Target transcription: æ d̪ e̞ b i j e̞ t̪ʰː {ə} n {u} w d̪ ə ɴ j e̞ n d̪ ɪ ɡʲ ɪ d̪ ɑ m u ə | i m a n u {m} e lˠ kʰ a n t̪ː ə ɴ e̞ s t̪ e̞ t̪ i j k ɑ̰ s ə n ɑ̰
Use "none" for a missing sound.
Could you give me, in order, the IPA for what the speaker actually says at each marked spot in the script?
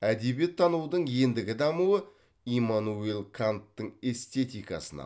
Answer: ɑ, u, none

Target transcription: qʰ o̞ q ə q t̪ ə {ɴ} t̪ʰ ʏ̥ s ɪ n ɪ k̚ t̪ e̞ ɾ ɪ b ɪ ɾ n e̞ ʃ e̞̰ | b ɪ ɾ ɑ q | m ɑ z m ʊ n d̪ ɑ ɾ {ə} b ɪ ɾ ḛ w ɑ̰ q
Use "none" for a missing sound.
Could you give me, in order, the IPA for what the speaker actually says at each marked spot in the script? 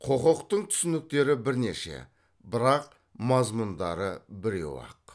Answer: ɴ, ə

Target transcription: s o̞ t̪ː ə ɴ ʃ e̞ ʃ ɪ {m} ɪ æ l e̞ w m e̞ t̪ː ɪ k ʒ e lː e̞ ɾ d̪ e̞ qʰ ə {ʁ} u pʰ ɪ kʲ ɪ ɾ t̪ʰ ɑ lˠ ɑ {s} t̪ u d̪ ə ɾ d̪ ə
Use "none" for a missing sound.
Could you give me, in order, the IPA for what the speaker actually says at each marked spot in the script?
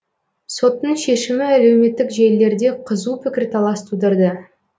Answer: m, z, s

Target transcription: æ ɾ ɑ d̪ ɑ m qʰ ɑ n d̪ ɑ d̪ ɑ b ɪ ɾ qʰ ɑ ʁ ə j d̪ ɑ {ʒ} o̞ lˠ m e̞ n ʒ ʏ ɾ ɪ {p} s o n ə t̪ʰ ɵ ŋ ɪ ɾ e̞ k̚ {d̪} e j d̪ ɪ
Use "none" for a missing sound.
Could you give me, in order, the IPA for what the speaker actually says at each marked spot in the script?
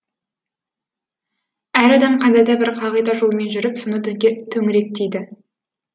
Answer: ʒ, p, t̪

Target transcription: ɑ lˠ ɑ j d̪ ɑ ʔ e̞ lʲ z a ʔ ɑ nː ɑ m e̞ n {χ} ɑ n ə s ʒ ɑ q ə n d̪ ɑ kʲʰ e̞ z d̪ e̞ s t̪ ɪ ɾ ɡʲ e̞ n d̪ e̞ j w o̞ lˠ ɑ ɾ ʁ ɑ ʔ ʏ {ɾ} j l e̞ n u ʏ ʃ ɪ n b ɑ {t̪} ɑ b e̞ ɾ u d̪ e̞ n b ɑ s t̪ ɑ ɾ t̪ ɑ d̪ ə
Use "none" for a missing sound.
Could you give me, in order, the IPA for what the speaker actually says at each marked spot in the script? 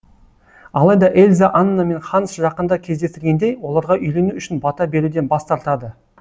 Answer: χ, none, t̪

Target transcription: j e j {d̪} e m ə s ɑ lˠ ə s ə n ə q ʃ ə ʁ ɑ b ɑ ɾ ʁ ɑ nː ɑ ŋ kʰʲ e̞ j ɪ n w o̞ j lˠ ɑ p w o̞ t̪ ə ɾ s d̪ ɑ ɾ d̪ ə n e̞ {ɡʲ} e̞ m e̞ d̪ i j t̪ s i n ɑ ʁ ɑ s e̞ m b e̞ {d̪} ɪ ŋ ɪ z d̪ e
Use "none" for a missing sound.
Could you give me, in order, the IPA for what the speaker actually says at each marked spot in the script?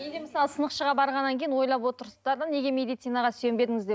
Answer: d̪, ɡʲ, d̪

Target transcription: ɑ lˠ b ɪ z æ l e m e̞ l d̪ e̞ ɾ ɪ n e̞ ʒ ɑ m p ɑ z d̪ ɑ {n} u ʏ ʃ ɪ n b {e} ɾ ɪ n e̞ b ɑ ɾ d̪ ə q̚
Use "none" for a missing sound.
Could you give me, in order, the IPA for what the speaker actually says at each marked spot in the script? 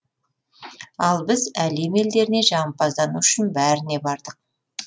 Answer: n, æ

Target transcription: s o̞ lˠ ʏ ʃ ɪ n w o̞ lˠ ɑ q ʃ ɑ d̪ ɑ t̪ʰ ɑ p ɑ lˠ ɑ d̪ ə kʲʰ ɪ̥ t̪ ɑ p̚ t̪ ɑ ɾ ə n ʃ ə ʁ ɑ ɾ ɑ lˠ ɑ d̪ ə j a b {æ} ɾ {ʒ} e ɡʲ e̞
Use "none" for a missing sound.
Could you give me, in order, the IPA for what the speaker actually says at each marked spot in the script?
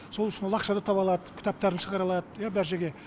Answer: æ, ʒ

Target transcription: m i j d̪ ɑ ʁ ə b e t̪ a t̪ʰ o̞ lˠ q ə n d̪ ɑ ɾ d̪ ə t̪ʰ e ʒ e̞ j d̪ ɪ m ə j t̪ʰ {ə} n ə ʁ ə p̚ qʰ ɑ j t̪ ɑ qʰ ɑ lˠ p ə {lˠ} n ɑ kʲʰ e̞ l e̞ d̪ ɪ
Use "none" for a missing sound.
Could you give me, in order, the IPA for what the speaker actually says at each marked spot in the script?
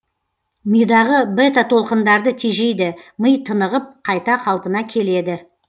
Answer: ə, none

